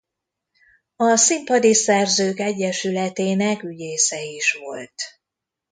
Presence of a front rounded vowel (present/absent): present